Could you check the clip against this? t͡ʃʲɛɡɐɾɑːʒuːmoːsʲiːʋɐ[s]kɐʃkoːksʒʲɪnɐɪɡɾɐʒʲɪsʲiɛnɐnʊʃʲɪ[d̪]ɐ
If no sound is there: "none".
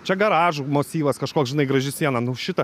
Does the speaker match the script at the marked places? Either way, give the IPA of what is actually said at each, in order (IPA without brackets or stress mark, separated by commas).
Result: s, t̪